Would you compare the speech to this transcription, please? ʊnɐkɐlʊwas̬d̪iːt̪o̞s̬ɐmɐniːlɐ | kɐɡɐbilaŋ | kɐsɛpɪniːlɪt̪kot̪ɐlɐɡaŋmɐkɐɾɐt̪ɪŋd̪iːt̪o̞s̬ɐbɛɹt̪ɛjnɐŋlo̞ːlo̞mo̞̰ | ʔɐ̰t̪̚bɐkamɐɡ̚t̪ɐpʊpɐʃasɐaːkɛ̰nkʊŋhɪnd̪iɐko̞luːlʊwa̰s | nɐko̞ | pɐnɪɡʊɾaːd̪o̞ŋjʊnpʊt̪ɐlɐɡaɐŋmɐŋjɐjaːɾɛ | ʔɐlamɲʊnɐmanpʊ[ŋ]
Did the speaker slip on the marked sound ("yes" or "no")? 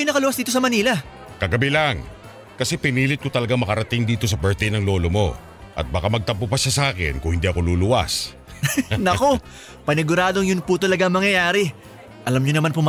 yes